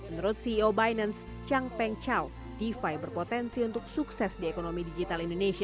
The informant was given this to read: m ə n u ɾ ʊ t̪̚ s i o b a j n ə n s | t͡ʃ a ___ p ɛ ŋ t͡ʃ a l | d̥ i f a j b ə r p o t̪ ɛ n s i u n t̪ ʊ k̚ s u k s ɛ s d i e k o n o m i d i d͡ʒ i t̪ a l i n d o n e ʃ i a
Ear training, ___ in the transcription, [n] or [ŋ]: ŋ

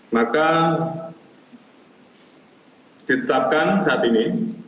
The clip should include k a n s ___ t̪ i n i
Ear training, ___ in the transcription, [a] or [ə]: a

